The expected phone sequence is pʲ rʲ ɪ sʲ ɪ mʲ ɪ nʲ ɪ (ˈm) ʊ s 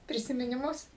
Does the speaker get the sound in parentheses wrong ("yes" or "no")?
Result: no